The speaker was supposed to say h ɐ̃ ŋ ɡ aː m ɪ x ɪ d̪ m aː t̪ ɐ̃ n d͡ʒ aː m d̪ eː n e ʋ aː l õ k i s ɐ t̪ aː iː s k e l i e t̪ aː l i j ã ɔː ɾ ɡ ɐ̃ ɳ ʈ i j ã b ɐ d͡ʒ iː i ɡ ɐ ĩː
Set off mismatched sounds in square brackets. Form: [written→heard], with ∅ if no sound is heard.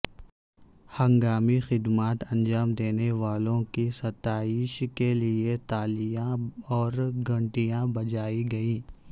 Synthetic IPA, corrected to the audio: h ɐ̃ ŋ ɡ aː m [ɪ→i] x ɪ d̪ m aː t̪ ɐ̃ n d͡ʒ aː m d̪ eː n e ʋ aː l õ k i s ɐ t̪ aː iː [s→ʃ] k e l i e t̪ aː l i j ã ɔː ɾ ɡ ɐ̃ ɳ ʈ i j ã b ɐ d͡ʒ [iː→aː] i ɡ ɐ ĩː